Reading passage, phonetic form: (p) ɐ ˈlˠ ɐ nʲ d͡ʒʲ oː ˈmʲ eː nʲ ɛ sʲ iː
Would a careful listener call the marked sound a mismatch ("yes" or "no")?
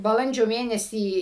yes